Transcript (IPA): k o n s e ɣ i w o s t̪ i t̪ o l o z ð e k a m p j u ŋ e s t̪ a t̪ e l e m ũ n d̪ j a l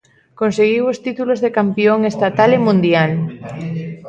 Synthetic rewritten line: k o n s e ɣ i w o s t̪ i t̪ u l o z ð e k a m p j o ŋ e s t̪ a t̪ a l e m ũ n d̪ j a l